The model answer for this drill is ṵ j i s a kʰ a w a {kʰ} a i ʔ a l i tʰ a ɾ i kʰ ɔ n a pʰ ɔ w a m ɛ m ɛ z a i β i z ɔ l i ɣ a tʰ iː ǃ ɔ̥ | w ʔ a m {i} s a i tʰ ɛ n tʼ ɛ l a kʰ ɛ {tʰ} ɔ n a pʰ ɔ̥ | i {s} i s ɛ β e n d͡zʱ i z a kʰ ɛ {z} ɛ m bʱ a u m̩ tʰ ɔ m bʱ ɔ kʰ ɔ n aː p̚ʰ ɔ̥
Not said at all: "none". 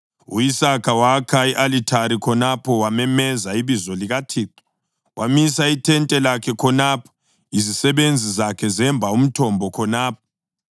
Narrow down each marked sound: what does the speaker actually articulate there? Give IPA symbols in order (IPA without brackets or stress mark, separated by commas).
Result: kʰ, i, kʰ, z, z